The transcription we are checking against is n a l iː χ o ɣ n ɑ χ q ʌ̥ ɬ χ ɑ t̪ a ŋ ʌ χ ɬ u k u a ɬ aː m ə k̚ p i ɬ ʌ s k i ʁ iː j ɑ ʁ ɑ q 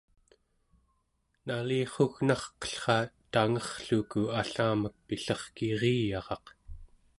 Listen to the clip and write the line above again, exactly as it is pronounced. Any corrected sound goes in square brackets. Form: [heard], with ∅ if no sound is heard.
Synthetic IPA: n a l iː χ o ɣ n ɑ χ q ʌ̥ ɬ χ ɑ t̪ a ŋ ʌ χ ɬ u k u a ɬ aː m ə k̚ p i ɬ ʌ [χ] k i ʁ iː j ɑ ʁ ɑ q